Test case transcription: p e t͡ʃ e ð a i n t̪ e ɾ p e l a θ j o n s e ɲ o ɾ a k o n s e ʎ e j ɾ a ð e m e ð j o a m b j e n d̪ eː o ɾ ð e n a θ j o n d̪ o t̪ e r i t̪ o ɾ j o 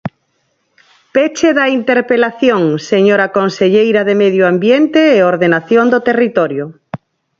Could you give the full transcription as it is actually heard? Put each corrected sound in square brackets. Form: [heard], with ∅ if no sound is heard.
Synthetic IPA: p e t͡ʃ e ð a i n t̪ e ɾ p e l a θ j o [ŋ] s e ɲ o ɾ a k o n s e ʎ e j ɾ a ð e m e ð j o a m b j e n [t̪] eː o ɾ ð e n a θ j o n d̪ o t̪ e r i t̪ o ɾ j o